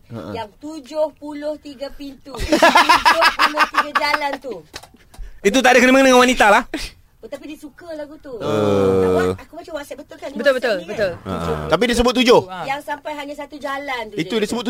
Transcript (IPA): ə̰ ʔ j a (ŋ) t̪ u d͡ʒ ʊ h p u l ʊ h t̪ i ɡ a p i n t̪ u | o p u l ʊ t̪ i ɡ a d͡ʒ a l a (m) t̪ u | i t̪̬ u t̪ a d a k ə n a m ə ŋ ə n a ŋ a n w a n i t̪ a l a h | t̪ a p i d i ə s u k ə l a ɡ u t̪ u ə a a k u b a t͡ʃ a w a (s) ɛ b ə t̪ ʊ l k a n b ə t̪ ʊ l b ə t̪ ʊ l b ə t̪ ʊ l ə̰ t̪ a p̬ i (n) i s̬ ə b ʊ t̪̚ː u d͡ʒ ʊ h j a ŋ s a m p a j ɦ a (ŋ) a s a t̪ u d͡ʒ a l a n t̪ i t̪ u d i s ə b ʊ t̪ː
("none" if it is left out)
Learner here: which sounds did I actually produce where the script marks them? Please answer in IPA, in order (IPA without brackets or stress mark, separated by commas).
ŋ, n, s, d, ɲ